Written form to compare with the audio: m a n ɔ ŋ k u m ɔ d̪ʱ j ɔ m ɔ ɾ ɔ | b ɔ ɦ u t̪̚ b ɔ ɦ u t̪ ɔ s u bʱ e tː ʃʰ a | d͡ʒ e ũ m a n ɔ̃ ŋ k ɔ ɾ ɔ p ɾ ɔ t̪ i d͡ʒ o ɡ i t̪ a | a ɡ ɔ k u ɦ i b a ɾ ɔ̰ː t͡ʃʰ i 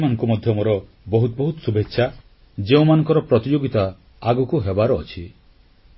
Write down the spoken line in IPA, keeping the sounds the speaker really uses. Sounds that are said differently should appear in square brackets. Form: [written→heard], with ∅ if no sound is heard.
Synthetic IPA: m a n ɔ ŋ k u m ɔ d̪ʱ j ɔ m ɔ ɾ ɔ | b ɔ ɦ u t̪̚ b ɔ ɦ u t̪ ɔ s u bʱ e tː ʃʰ a | d͡ʒ e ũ m a n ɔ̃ ŋ k ɔ ɾ ɔ p ɾ ɔ t̪ i d͡ʒ o ɡ i t̪ a | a ɡ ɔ k u ɦ [i→e] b a ɾ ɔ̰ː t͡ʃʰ i